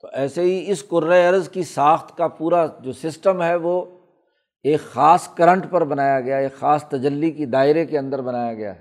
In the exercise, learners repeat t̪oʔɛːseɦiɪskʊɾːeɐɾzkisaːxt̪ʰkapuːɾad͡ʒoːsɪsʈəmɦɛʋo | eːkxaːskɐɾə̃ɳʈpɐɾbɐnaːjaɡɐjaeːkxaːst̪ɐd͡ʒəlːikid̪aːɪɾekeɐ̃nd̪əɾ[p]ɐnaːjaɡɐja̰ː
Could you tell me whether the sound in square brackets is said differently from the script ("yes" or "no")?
yes